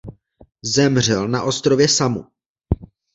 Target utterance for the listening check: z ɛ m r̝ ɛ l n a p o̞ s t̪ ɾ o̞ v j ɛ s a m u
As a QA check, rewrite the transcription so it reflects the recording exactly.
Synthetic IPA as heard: z ɛ m r̝ ɛ l n a ʔ o̞ s t̪ ɾ o̞ v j ɛ s a m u

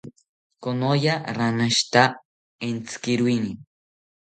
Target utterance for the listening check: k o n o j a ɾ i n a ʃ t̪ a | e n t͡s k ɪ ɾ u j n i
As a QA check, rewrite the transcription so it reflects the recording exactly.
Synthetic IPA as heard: k o n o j a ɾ a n a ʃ t̪ a | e n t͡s k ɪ ɾ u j n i

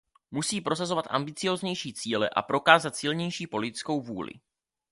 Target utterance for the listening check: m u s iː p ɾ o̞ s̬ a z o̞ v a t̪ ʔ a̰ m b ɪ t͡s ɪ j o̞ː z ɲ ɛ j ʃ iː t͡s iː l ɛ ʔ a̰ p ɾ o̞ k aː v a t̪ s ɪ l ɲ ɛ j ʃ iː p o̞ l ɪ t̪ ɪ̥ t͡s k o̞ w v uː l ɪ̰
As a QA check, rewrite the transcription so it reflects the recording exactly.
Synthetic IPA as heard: m u s iː p ɾ o̞ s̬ a z o̞ v a t̪ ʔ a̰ m b ɪ t͡s ɪ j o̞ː z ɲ ɛ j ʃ iː t͡s iː l ɛ ʔ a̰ p ɾ o̞ k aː z a t̪ s ɪ l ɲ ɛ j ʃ iː p o̞ l ɪ t̪ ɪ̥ t͡s k o̞ w v uː l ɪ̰

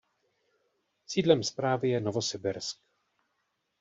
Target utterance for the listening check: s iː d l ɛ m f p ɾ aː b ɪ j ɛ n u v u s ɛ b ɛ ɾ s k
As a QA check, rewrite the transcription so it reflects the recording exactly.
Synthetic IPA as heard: s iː d l ɛ m s p ɾ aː v ɪ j ɛ n o v o s ɛ b ɛ ɾ s k

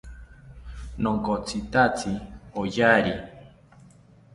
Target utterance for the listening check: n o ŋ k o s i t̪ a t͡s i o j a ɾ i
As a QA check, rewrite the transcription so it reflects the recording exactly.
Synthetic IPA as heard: n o ŋ k o t͡s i t̪ a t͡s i o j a ɾ i

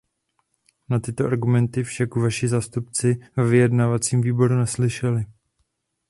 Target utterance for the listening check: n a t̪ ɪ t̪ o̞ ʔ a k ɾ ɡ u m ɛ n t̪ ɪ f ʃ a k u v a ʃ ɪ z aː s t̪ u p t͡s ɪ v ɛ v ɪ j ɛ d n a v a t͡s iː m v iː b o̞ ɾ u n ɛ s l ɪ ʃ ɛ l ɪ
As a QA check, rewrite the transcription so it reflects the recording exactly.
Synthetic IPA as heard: n a t̪ ɪ t̪ o̞ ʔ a ɾ ɡ u m ɛ n t̪ ɪ f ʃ a k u v a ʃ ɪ z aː s t̪ u p t͡s ɪ v ɛ v ɪ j ɛ d n a v a t͡s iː m v iː b o̞ ɾ u n ɛ s l ɪ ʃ ɛ l ɪ

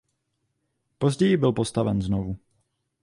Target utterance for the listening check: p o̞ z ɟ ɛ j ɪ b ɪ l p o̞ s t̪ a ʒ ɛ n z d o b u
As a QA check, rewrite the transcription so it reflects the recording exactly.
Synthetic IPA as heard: p o̞ z ɟ ɛ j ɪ b ɪ l p o̞ s t̪ a v ɛ n z n o v u

